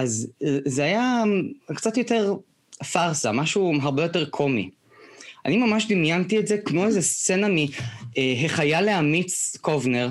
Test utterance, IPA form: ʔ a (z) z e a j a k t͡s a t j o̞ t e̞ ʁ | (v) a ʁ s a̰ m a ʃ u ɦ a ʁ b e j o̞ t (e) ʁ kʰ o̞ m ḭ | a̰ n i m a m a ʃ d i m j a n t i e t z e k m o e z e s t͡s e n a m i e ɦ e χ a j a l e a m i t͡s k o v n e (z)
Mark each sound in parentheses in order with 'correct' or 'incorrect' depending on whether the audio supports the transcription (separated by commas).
correct, incorrect, correct, incorrect